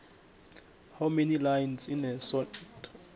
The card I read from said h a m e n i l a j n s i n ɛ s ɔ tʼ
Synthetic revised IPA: h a m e n i l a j n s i n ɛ s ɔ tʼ